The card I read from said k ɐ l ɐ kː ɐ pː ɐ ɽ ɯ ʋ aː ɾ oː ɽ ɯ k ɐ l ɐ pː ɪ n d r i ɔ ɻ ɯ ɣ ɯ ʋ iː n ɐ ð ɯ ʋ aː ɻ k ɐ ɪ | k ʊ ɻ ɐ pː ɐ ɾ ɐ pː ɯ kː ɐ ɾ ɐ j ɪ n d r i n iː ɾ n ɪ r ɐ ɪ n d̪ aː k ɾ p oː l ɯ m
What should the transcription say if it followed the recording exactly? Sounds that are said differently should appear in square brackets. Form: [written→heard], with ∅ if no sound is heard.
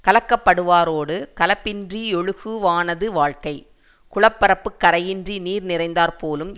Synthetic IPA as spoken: k ɐ l ɐ kː ɐ pː ɐ ɽ ɯ ʋ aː ɾ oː ɽ ɯ k ɐ l ɐ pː ɪ n d r i ɔ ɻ ɯ ɣ ɯ ʋ [iː→aː] n ɐ ð ɯ ʋ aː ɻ k ɐ ɪ | k ʊ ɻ ɐ pː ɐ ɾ ɐ pː ɯ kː ɐ ɾ ɐ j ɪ n d r i n iː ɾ n ɪ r ɐ ɪ n d̪ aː [k→∅] ɾ p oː l ɯ m